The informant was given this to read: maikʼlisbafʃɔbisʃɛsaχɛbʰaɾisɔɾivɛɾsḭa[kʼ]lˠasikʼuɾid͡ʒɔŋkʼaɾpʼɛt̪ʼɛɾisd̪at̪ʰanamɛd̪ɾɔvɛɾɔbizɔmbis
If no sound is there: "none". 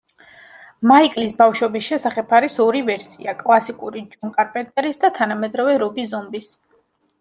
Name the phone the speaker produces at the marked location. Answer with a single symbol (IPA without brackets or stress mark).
kʼ